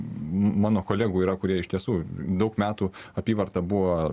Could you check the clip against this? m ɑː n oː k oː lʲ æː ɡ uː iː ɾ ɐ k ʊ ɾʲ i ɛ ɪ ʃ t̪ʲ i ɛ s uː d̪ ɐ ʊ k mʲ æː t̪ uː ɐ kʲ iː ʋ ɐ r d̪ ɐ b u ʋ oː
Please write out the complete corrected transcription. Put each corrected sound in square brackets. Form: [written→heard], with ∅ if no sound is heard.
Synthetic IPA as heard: m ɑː n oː k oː lʲ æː ɡ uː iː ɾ ɐ k ʊ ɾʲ i ɛ ɪ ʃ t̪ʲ i ɛ s uː d̪ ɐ ʊ k mʲ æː t̪ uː ɐ [kʲ→pʲ] iː ʋ ɐ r [d̪→t̪] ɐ b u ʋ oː